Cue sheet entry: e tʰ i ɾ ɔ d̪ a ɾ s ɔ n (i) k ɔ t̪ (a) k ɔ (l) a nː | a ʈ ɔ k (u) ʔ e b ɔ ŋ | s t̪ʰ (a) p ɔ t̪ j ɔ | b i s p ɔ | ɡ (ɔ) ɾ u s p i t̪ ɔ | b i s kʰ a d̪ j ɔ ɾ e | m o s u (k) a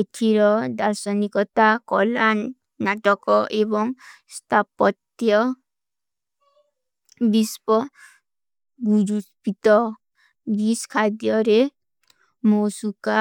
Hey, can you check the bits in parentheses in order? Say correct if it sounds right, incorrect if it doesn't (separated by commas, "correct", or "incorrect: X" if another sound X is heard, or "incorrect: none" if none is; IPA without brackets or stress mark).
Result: correct, correct, correct, incorrect: ɔ, correct, incorrect: u, correct